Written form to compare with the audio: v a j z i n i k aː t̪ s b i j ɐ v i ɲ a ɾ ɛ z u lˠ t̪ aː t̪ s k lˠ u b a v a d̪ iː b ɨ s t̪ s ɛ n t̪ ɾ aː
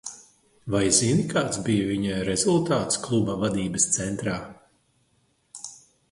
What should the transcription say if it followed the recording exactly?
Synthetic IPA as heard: v a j z i n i k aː t̪ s b i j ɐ v i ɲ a ɾ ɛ z u lˠ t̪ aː t̪ s k lˠ u b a v a d̪ iː b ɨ s t̪ s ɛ n t̪ ɾ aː